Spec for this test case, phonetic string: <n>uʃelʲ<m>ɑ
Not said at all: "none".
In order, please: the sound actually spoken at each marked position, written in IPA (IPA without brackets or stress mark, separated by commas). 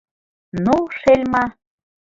n, m